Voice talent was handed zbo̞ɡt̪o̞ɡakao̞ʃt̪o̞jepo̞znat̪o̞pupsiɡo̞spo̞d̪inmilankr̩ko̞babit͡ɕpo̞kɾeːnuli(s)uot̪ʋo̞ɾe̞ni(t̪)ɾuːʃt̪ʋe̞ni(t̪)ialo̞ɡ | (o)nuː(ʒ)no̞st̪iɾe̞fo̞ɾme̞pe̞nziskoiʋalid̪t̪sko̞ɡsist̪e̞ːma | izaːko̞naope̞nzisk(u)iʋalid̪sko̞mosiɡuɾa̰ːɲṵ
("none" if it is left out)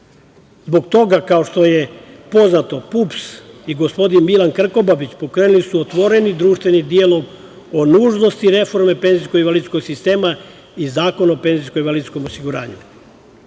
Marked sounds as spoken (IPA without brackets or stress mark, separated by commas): s, d̪, d̪, o, ʒ, o